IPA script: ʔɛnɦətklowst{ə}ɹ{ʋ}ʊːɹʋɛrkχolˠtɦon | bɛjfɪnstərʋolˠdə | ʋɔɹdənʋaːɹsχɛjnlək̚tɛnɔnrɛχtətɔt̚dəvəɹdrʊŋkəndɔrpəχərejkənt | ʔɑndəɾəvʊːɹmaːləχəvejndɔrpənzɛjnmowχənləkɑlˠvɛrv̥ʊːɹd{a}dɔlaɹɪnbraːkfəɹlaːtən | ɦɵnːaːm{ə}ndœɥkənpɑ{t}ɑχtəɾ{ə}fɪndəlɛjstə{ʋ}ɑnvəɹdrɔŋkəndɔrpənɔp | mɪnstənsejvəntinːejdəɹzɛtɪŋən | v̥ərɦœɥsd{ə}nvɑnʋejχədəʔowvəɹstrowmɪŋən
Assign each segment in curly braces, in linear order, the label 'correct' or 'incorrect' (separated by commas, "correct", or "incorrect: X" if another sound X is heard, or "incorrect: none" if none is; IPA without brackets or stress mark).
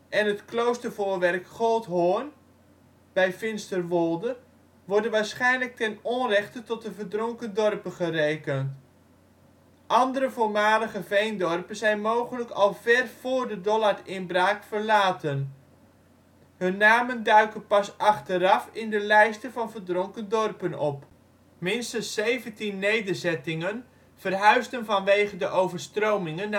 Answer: correct, incorrect: v, incorrect: ə, correct, incorrect: s, incorrect: ɑ, incorrect: v, correct